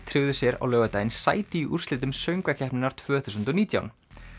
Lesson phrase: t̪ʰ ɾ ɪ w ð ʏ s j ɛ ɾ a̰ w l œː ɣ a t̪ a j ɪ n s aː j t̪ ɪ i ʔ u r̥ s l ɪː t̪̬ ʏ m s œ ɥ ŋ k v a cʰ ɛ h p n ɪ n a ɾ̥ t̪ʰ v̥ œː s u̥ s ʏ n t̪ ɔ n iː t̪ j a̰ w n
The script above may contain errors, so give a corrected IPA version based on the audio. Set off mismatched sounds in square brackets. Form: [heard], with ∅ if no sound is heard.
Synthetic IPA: t̪ʰ ɾ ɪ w ð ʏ s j ɛ ɾ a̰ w l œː ɣ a t̪ a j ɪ n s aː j t̪ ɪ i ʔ u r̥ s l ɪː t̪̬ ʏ m s œ ɥ ŋ k v a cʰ ɛ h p n ɪ n a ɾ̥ t̪ʰ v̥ œː [θ] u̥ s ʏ n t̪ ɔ n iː t̪ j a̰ w n